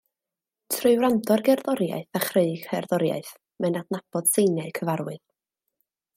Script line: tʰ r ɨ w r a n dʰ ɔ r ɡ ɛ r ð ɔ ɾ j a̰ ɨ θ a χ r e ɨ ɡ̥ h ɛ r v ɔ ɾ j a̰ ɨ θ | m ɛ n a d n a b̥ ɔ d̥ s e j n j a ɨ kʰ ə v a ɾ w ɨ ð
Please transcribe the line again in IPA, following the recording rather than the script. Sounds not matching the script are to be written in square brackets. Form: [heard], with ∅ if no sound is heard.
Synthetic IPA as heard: tʰ r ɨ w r a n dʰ ɔ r ɡ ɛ r ð ɔ ɾ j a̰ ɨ θ a χ r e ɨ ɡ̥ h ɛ r [ð] ɔ ɾ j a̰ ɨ θ | m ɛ n a d n a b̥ ɔ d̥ s e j n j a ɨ kʰ ə v a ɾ w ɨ ð